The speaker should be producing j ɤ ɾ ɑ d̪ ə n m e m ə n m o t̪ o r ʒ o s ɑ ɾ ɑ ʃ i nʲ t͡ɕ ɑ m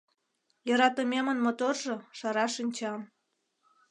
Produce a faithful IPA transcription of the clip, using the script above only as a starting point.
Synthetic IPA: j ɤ ɾ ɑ t̪ ə m e m ə n m o t̪ o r ʒ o ʃ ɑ ɾ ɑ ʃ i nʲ t͡ɕ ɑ m